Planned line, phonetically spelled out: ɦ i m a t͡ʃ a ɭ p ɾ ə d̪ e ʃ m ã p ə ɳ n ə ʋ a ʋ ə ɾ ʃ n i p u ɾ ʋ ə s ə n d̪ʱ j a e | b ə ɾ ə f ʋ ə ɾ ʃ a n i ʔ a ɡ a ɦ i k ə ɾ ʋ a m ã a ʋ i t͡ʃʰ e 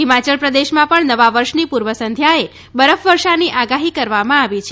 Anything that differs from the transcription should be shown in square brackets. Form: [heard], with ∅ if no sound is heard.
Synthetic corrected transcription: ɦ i m a t͡ʃ [ə] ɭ p ɾ ə d̪ e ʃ m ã p ə ɳ n ə ʋ a ʋ ə ɾ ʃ n i p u ɾ ʋ ə s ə n d̪ʱ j a e | b ə ɾ ə f ʋ ə ɾ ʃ a n i ʔ a ɡ a ɦ i k ə ɾ ʋ a m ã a ʋ i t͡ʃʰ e